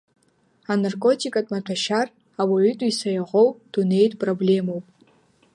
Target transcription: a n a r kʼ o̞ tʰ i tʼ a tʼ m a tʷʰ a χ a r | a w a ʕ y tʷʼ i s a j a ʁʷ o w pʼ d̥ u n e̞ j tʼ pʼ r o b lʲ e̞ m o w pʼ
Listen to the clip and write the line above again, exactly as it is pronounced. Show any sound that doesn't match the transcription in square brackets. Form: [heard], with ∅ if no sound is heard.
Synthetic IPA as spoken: a n a r kʼ o̞ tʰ i [kʼ] a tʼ m a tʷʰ a [ʃ] a r | a w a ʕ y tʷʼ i s a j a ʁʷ o w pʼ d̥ u n e̞ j tʼ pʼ r o b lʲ e̞ m o w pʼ